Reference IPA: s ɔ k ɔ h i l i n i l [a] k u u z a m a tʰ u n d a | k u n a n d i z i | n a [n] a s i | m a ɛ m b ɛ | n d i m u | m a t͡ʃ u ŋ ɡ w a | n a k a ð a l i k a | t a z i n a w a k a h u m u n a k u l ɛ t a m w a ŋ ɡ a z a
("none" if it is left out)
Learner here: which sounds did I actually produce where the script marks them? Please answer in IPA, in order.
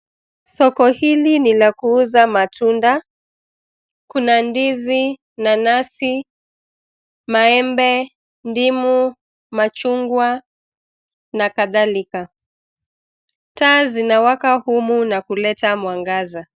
a, n

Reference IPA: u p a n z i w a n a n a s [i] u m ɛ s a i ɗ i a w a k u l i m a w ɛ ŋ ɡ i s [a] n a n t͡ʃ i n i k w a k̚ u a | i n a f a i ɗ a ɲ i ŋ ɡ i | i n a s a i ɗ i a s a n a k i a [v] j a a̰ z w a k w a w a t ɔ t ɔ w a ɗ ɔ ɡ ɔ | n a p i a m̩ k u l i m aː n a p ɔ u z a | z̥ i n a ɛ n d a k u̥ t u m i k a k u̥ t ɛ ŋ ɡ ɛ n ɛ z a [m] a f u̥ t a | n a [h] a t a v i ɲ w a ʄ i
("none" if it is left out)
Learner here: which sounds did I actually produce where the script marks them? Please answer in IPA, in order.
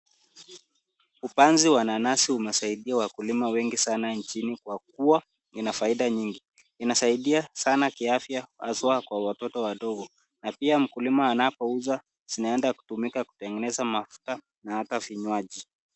i, a, f, m, h

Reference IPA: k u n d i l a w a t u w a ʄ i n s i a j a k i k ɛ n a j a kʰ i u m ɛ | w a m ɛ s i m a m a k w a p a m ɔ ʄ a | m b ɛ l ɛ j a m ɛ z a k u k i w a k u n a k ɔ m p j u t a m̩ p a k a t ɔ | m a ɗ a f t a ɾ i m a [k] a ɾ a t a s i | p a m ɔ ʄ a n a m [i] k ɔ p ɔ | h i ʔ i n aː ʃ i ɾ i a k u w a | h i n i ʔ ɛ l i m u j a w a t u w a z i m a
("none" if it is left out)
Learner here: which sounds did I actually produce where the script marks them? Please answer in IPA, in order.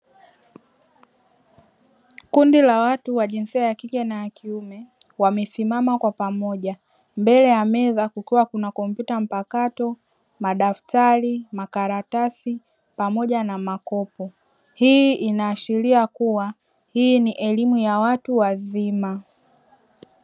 k, a

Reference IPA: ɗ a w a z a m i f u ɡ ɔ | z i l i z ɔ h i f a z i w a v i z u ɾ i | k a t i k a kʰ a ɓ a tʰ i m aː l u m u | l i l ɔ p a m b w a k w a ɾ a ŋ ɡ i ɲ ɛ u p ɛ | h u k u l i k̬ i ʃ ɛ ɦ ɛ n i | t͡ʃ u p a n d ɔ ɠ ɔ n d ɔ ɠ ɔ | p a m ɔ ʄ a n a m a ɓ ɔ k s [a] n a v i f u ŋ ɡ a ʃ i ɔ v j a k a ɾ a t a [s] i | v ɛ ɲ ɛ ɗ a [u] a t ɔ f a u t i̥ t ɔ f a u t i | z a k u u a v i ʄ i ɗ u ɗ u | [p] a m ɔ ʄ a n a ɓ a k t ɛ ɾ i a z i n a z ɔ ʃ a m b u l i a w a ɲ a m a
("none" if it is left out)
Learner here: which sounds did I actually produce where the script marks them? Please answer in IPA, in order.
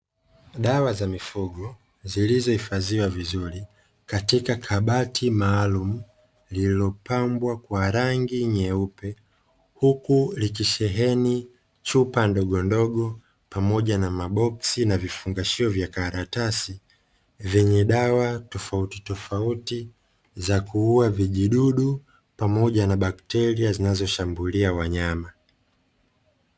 i, s, w, p

